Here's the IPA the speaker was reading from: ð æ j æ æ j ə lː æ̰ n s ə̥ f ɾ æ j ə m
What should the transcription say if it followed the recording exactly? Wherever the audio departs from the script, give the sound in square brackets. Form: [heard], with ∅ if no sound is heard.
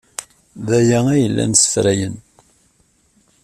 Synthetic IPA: ð æ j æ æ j ə lː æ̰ n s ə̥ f ɾ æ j ə [n]